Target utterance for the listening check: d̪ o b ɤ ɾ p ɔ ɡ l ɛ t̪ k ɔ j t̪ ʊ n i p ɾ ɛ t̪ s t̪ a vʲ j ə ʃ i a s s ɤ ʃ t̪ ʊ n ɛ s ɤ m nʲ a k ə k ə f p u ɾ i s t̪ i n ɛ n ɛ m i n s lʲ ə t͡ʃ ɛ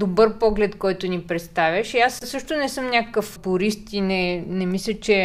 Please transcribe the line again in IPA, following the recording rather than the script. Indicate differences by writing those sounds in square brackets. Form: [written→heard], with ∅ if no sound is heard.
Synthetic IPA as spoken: d̪ o b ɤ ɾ p ɔ ɡ l ɛ t̪ k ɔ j t̪ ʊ n i p ɾ ɛ t̪ s t̪ a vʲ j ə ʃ i a s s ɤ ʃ t̪ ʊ n ɛ s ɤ m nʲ a k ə k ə f p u ɾ i s t̪ i n ɛ n ɛ m i [n→∅] s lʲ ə t͡ʃ ɛ